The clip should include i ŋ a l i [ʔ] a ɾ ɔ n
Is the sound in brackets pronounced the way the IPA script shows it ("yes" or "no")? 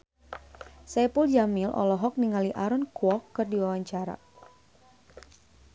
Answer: yes